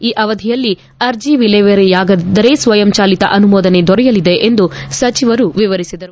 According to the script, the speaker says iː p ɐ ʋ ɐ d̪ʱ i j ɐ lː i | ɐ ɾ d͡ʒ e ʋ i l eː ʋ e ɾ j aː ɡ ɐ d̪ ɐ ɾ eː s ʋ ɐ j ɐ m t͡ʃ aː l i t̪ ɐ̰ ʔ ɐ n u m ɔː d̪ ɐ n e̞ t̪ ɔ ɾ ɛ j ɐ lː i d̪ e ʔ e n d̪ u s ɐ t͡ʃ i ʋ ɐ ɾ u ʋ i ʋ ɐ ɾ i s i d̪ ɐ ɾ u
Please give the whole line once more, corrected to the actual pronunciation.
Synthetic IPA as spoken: iː ʔ ɐ ʋ ɐ d̪ʱ i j ɐ lː i | ɐ ɾ d͡ʒ i ʋ i l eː ʋ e ɾ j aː ɡ ɐ d̪ ɐ ɾ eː s ʋ ɐ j ɐ m t͡ʃ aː l i t̪ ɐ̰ ʔ ɐ n u m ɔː d̪ ɐ n e̞ d̪ ɔ ɾ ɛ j ɐ l i d̪ e ʔ e n d̪ u s ɐ t͡ʃ i ʋ ɐ ɾ u ʋ i ʋ ɐ ɾ i s i d̪ ɐ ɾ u